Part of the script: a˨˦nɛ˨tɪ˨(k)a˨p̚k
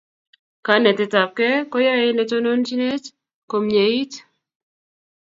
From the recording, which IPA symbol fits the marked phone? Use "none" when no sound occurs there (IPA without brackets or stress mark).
t